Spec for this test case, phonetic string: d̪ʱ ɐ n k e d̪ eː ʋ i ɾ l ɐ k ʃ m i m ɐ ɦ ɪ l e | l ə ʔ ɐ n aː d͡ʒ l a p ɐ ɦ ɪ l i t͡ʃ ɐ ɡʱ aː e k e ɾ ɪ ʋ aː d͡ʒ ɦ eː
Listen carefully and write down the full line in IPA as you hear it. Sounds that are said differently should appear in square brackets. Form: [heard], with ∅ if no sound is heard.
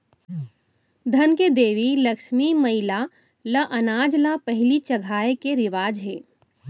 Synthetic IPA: d̪ʱ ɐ n k e d̪ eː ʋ i [∅] l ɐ k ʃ m i m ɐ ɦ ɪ l [a] | l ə ʔ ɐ n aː d͡ʒ l a p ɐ ɦ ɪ l i t͡ʃ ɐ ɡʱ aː e k e ɾ ɪ ʋ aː d͡ʒ ɦ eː